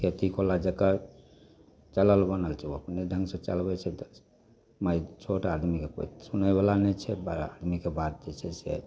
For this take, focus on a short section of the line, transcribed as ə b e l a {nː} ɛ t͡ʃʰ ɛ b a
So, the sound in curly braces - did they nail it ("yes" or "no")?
no